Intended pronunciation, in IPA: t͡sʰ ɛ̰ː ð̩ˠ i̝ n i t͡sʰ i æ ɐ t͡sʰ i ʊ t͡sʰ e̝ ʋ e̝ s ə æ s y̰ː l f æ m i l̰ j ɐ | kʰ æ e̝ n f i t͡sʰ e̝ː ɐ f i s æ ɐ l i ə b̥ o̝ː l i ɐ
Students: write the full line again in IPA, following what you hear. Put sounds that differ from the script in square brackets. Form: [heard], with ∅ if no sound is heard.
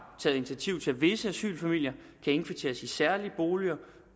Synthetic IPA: t͡sʰ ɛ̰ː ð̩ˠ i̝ n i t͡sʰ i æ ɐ t͡sʰ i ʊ t͡sʰ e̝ ʋ e̝ s ə æ s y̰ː l f æ m i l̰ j ɐ | kʰ æ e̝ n f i t͡sʰ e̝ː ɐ [s] i s æ ɐ l i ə b̥ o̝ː l i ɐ

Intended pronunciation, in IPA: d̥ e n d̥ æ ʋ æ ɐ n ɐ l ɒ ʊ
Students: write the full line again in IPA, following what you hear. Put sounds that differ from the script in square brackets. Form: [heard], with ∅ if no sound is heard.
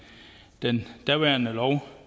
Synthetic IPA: d̥ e n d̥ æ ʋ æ ɐ n [ə] l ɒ ʊ

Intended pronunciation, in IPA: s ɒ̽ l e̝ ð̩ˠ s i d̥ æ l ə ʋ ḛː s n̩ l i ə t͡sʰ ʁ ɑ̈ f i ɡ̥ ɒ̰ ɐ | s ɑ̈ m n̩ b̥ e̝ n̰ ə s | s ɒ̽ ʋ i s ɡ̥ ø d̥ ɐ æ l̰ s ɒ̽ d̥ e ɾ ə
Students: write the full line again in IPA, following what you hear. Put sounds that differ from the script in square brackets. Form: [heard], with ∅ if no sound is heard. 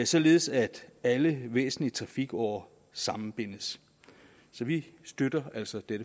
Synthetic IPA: s ɒ̽ l e̝ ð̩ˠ s [æ] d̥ æ l ə ʋ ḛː s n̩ l i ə t͡sʰ ʁ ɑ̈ f i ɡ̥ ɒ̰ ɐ | s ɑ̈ m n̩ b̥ e̝ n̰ ə s | s ɒ̽ ʋ i s [d̥] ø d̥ ɐ æ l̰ s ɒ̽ d̥ e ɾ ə

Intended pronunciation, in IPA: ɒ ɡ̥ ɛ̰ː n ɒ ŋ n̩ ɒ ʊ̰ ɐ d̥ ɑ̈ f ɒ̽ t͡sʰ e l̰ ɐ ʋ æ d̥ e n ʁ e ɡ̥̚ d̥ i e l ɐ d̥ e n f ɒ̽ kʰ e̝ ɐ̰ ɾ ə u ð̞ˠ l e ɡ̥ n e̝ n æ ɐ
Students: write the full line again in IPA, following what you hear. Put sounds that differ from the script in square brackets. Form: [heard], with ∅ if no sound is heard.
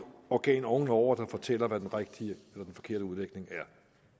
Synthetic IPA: ɒ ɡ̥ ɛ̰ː n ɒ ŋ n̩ ɒ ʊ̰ ɐ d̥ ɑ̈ f ɒ̽ t͡sʰ e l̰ ɐ ʋ æ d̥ e n ʁ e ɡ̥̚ d̥ i e l ɐ d̥ e n f ɒ̽ kʰ e̝ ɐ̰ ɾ ə u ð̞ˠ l e ɡ̥ n e̝ [ŋ] æ ɐ

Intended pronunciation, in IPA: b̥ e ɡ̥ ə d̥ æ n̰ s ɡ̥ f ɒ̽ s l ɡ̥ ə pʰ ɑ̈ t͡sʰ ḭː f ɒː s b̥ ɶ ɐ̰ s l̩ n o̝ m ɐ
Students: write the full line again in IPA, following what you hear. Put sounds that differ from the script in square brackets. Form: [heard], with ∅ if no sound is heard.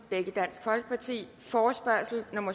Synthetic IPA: b̥ e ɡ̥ ə d̥ æ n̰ s ɡ̥ f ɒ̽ [∅] l ɡ̥ ə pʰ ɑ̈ t͡sʰ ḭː f ɒː s b̥ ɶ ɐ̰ s l̩ n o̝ m ɐ

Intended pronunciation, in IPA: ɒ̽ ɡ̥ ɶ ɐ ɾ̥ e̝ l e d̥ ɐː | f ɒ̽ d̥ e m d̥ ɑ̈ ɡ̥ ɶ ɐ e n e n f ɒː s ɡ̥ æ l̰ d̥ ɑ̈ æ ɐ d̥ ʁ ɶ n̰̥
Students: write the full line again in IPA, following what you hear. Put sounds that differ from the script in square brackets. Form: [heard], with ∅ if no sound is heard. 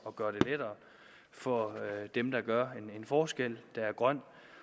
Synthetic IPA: ɒ̽ ɡ̥ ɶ ɐ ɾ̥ e̝ l e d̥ ɐː | f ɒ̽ d̥ e m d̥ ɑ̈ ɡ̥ ɶ ɐ e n e n f ɒː s ɡ̥ [e] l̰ d̥ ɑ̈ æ ɐ [ɡ̥] ʁ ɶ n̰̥

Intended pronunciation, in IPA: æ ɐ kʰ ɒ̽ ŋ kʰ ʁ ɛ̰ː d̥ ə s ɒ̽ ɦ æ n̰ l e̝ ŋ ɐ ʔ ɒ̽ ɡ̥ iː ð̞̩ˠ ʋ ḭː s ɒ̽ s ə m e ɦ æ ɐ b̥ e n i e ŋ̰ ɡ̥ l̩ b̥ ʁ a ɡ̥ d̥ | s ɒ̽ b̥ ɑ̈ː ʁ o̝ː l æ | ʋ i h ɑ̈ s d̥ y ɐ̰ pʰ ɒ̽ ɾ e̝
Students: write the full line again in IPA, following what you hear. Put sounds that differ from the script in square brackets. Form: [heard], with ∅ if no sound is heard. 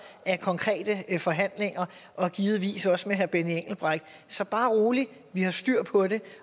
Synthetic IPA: æ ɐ kʰ ɒ̽ ŋ kʰ ʁ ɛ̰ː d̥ ə [f] ɒ̽ ɦ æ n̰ l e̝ ŋ ɐ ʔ ɒ̽ ɡ̥ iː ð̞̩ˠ ʋ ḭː s ɒ̽ s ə m e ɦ æ ɐ b̥ e n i e ŋ̰ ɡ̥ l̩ b̥ ʁ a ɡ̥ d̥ | s ɒ̽ b̥ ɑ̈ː ʁ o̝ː l [i] | ʋ i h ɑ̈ s d̥ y ɐ̰ pʰ ɒ̽ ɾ e̝

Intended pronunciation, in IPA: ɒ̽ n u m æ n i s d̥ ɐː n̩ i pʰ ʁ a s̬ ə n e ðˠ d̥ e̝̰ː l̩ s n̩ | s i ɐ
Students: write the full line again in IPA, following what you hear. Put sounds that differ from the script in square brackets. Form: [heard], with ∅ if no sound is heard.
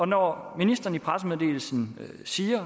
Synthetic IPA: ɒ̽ n [ɒ] m [i] n i s d̥ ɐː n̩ i pʰ ʁ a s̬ ə [m] e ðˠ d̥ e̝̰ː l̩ s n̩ | s [iː] ɐ

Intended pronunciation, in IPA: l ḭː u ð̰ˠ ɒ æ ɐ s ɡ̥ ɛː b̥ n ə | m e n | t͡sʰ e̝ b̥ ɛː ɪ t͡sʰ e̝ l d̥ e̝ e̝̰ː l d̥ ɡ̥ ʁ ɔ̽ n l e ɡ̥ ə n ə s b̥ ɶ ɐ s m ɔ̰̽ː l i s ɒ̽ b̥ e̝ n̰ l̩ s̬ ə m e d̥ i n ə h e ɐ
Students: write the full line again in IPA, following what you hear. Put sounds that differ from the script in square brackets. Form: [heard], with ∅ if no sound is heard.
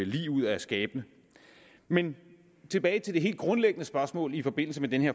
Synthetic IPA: l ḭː u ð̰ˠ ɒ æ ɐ s ɡ̥ ɛː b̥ n ə | m e n | t͡sʰ e̝ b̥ ɛː ɪ t͡sʰ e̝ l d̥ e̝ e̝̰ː l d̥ ɡ̥ ʁ ɔ̽ n l e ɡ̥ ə n ə s b̥ ɶ ɐ s m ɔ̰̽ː l i [f] ɒ̽ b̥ e̝ n̰ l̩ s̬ ə m e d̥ [e] n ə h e ɐ

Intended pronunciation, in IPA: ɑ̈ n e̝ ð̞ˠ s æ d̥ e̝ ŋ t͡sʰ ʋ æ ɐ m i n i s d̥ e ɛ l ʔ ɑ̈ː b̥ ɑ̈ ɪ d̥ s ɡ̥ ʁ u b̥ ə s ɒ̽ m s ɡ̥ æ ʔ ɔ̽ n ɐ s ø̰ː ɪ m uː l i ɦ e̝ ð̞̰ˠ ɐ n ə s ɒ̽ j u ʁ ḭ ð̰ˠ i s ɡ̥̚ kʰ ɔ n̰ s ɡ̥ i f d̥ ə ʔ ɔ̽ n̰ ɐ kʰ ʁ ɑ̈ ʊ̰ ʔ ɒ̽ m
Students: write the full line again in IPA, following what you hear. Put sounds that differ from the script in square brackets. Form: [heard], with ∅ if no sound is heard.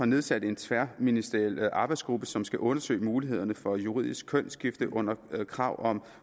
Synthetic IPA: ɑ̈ n e̝ ð̞ˠ s æ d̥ e̝ [n] t͡sʰ ʋ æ ɐ m i n i s d̥ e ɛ l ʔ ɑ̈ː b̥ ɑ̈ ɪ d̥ s ɡ̥ ʁ u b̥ ə s ɒ̽ m s ɡ̥ æ ʔ ɔ̽ n ɐ s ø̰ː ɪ m uː l i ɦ e̝ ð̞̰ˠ ɐ n ə [f] ɒ̽ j u ʁ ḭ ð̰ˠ i s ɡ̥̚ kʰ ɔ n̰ s ɡ̥ i f d̥ ə ʔ ɔ̽ n̰ ɐ kʰ ʁ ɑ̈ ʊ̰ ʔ ɒ̽ m

